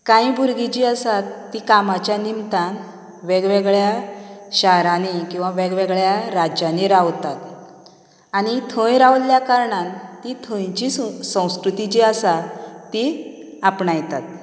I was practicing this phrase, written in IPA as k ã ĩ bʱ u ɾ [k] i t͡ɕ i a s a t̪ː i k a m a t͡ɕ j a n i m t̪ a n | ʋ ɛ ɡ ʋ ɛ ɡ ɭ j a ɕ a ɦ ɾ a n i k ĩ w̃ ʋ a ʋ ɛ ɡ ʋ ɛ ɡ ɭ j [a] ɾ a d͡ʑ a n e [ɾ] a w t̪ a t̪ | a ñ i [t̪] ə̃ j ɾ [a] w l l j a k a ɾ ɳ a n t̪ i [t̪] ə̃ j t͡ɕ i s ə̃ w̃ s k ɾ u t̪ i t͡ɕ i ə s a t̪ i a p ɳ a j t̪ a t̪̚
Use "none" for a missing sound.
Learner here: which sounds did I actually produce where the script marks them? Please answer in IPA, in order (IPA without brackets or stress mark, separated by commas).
ɡ, a, ɾ, t̪ʰ, a, t̪ʰ